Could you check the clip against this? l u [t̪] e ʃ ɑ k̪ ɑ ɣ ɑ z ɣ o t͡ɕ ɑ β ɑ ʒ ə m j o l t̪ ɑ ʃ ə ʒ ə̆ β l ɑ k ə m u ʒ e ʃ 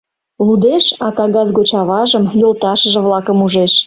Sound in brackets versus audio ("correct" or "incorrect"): incorrect